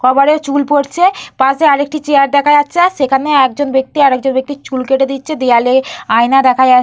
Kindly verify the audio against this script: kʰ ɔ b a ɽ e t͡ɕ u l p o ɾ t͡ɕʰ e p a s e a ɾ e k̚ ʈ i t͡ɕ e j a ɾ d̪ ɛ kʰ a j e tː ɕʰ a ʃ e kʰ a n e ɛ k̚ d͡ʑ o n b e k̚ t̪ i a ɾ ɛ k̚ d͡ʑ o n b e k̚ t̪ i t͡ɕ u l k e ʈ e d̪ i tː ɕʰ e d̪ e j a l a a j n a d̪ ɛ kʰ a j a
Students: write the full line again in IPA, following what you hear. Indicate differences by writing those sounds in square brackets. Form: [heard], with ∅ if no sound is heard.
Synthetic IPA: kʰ ɔ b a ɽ e t͡ɕ u l p o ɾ t͡ɕʰ e p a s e a ɾ e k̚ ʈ i t͡ɕ e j a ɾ d̪ ɛ kʰ a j [a] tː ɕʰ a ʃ e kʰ a n e ɛ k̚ d͡ʑ o n b e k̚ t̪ i a ɾ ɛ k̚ d͡ʑ o n b e k̚ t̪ i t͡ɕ u l k e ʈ e d̪ i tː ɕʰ e d̪ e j a l [e] a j n a d̪ ɛ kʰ a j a